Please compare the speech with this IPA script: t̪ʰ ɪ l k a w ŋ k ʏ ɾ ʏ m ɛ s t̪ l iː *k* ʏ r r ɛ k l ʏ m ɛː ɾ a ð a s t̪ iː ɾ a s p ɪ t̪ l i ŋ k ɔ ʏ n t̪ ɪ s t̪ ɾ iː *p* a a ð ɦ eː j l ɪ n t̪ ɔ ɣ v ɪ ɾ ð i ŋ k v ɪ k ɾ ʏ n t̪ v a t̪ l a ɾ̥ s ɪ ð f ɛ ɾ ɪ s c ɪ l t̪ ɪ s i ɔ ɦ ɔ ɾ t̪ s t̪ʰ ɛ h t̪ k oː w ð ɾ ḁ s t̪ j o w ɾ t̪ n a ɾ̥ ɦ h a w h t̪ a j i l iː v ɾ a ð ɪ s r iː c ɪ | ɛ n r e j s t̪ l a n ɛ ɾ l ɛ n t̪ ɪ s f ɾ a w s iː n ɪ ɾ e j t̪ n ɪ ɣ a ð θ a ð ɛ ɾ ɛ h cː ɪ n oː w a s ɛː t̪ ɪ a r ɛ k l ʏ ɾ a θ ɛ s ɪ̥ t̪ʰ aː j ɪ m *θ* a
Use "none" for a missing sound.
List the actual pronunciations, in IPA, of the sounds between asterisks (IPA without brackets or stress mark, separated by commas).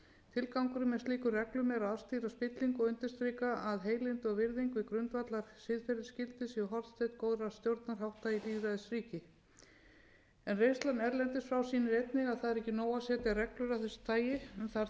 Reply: k, k, θ